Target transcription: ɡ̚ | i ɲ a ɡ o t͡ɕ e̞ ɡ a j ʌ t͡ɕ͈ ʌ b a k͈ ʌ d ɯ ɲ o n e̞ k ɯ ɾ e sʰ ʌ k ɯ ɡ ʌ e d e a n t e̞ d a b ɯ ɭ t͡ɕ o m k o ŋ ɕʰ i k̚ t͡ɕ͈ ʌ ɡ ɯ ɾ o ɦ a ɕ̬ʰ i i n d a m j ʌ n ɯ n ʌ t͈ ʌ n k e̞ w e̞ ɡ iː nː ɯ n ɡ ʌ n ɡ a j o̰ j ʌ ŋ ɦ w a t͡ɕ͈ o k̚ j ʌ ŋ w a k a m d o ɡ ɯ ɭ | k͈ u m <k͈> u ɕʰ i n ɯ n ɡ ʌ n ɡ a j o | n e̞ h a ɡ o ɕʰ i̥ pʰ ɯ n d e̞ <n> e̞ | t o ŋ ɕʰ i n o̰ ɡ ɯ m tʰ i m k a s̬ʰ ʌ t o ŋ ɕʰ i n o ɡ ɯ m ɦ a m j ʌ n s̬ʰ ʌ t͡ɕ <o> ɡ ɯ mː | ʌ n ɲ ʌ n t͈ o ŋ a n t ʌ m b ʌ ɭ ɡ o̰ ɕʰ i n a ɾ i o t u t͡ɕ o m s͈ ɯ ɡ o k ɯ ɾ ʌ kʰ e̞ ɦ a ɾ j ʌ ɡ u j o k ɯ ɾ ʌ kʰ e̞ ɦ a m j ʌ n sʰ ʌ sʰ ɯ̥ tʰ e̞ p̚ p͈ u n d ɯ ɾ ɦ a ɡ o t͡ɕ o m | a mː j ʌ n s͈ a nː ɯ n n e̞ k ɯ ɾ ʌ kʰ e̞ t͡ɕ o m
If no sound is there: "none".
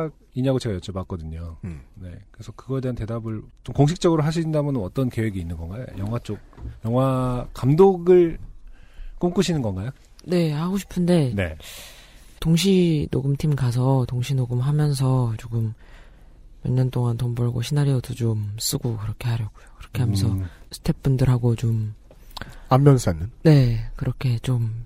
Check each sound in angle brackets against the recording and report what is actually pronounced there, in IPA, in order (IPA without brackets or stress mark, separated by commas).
k͈, n, o